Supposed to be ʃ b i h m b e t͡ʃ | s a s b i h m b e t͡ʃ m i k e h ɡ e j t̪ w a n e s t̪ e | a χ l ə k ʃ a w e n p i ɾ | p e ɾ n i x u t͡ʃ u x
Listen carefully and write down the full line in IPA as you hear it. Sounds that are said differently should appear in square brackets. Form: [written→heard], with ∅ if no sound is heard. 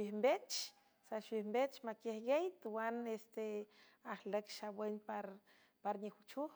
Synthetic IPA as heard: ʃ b i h m b e t͡ʃ | s a [s→ʃ] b i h m b e t͡ʃ m [i→a] k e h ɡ e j t̪ w a n e s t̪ e | a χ l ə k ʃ a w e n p [i→a] ɾ | p [e→a] ɾ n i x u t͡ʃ u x